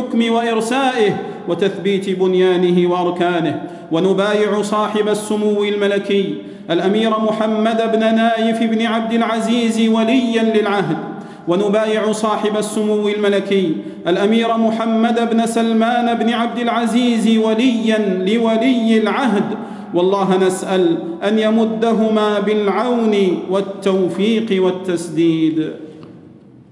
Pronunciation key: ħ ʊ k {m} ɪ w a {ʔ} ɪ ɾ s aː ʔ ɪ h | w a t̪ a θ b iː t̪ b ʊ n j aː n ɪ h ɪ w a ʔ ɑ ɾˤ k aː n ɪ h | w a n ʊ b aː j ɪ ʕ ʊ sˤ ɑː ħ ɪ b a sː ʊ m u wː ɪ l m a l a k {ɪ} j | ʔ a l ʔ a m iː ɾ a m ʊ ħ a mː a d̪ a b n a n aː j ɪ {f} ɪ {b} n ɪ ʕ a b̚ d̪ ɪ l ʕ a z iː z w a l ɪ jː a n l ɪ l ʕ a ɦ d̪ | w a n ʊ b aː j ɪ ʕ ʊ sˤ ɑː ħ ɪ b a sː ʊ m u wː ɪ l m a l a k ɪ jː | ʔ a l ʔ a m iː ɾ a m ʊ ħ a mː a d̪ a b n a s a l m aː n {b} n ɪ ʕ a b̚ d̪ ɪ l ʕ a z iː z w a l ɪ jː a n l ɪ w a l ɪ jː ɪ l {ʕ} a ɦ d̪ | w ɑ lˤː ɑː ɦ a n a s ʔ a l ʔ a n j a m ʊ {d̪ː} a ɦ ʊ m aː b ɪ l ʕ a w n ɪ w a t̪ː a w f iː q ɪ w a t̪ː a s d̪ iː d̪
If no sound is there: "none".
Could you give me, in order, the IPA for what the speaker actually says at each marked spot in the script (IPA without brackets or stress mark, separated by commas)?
m, ʔ, ɪ, f, b, b, ʕ, d̪ː